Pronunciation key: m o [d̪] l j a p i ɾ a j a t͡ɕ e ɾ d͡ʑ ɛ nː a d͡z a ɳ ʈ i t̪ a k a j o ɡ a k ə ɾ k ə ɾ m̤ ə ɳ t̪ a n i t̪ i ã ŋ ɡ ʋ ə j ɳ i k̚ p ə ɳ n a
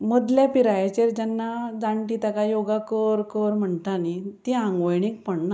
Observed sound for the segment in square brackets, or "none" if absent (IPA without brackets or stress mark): d̪